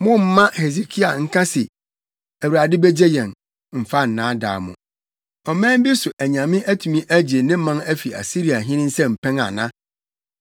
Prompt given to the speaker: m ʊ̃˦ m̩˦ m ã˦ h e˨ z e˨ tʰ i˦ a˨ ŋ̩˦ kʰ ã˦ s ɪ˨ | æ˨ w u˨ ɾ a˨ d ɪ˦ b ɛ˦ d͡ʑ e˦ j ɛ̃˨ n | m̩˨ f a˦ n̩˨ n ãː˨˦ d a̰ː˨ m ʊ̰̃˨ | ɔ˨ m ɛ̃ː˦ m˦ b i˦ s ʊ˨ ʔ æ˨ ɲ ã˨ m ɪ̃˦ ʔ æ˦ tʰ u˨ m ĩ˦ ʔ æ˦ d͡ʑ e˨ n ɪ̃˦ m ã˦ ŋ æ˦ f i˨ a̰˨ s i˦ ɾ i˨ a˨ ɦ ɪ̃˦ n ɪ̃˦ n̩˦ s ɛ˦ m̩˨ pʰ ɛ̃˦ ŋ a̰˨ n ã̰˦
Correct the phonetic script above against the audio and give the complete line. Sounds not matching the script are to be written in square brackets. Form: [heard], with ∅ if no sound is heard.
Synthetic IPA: m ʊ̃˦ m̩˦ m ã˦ h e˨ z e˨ [kʰ] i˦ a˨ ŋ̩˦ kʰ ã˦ s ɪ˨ | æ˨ w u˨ ɾ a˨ d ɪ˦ b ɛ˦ d͡ʑ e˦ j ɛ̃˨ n | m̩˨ f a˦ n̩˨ n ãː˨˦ d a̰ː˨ m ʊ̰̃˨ | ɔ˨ m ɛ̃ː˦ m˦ b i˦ s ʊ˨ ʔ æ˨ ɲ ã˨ m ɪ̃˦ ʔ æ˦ tʰ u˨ m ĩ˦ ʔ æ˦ d͡ʑ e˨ n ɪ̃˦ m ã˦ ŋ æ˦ f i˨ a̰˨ s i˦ ɾ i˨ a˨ ɦ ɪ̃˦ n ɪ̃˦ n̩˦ s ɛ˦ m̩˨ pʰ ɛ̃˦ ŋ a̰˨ n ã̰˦